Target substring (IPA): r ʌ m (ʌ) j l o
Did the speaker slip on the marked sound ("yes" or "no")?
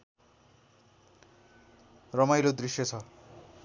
yes